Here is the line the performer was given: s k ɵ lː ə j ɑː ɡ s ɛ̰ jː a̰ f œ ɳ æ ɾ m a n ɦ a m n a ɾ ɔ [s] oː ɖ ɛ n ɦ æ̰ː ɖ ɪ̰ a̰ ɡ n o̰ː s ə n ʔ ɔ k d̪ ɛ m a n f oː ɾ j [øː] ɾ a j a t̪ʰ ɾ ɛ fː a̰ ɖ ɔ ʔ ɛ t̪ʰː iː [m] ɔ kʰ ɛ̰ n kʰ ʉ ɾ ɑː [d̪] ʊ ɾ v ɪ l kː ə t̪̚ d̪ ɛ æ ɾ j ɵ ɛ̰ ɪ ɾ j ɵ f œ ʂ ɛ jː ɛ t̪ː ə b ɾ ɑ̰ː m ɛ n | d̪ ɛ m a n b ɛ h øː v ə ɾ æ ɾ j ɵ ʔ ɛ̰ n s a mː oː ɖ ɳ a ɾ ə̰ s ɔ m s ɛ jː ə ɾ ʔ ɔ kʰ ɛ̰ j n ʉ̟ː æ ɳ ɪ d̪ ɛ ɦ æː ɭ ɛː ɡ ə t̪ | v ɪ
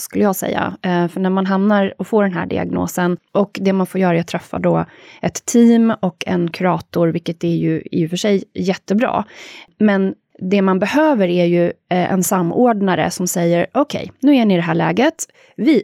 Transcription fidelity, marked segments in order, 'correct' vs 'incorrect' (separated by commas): incorrect, incorrect, correct, incorrect